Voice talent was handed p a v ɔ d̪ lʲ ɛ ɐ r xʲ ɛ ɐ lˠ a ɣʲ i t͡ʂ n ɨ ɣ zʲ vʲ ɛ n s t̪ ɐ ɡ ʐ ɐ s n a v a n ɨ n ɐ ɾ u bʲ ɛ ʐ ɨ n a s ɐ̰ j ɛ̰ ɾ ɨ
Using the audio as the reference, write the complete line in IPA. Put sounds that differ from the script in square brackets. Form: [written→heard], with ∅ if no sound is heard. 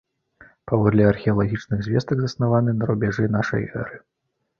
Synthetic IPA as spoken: p a v ɔ d̪ lʲ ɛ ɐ r xʲ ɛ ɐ lˠ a ɣʲ i t͡ʂ n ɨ ɣ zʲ vʲ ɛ [n→∅] s t̪ ɐ ɡ [ʐ→z] ɐ s n a v a n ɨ n ɐ ɾ u bʲ ɛ ʐ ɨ n a [s→ʂ] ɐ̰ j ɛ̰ ɾ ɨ